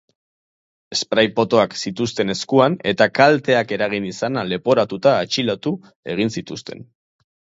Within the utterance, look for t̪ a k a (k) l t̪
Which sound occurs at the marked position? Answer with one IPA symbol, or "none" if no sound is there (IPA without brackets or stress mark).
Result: none